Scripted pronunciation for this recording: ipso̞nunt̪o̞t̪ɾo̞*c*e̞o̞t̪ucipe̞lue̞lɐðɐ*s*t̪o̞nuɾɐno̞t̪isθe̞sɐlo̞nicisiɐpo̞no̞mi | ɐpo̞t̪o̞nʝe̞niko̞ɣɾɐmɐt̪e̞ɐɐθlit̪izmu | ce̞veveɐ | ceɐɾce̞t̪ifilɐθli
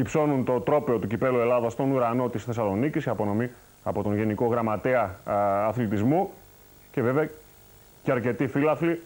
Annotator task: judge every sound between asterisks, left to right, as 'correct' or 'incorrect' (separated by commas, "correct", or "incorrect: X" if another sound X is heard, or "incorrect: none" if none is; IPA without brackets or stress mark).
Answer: incorrect: p, correct